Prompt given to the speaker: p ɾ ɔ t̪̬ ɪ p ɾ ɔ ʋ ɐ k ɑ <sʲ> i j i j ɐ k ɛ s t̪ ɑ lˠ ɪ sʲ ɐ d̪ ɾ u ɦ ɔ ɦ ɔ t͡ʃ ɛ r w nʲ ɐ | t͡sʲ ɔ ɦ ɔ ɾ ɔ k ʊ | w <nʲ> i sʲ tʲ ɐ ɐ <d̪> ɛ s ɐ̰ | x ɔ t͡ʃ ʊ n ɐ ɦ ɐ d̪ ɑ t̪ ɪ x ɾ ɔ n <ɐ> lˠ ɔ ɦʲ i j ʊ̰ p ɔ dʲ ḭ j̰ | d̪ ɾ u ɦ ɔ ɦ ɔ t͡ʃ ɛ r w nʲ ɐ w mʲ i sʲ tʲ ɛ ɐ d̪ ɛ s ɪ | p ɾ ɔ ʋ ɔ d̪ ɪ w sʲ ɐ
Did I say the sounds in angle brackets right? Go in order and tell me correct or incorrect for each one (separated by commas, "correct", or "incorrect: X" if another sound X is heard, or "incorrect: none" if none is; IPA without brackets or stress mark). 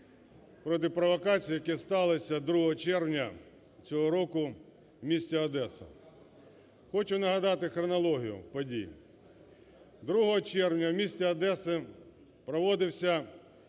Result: incorrect: t͡sʲ, incorrect: mʲ, correct, correct